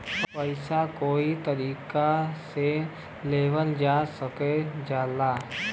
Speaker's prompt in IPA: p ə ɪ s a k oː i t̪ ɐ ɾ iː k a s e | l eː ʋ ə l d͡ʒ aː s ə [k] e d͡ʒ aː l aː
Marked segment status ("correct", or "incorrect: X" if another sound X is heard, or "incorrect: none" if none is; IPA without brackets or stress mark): correct